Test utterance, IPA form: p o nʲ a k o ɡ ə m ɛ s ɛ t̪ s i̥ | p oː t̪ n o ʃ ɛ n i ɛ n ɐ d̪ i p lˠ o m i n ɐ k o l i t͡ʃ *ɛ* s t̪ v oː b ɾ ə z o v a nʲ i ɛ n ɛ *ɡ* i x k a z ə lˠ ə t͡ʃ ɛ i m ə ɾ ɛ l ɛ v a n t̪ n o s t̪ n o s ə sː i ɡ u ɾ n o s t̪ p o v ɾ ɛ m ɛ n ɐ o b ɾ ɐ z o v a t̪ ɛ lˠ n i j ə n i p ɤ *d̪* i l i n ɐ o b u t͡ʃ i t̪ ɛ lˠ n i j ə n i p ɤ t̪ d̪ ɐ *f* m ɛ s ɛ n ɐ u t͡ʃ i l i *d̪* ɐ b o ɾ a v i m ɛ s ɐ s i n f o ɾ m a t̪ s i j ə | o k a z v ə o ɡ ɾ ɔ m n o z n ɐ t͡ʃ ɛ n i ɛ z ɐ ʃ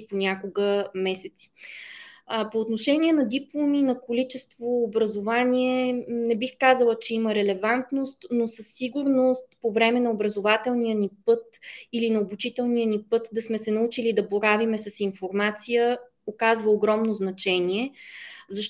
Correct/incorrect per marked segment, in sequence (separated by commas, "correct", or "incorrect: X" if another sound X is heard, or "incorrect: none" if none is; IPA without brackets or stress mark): correct, incorrect: b, incorrect: t̪, incorrect: s, correct